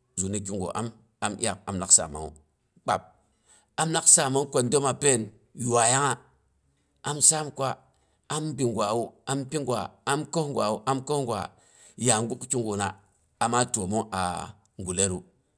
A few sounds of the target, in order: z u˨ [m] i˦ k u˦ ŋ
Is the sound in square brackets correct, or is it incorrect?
incorrect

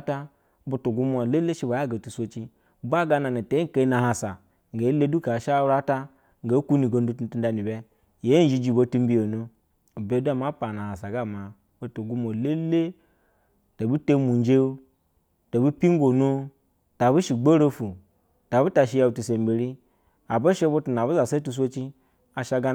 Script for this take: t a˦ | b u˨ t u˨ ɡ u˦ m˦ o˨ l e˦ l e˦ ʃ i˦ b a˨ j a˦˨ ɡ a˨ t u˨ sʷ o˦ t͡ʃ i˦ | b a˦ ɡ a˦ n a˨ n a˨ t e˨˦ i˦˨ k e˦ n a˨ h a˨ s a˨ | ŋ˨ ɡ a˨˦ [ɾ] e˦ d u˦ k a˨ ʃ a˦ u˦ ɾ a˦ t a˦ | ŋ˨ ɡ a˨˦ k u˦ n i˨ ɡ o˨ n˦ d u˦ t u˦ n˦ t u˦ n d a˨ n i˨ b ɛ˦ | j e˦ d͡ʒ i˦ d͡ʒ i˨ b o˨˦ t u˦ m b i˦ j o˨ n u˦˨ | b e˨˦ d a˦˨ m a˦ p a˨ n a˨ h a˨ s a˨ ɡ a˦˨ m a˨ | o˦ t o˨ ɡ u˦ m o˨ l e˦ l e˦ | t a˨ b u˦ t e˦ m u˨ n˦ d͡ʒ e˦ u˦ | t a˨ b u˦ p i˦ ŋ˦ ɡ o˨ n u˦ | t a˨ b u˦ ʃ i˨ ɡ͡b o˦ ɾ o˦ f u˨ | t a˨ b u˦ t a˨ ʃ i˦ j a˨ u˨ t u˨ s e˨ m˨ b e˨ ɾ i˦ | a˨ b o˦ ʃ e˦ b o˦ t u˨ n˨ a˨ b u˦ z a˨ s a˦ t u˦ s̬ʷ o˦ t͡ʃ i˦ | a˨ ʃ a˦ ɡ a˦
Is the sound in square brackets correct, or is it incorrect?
incorrect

